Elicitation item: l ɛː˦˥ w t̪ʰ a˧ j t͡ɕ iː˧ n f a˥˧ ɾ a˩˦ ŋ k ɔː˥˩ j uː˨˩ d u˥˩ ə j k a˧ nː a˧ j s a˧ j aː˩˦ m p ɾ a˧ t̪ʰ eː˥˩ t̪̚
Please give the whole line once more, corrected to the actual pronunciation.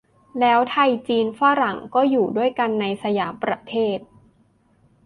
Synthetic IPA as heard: l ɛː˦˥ w t̪ʰ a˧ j t͡ɕ iː˧ n f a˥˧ ɾ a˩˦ ŋ k ɔː˥˩ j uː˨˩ d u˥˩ ə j k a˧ nː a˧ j s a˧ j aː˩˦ m p ɾ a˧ t̪ʰ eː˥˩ t̪̚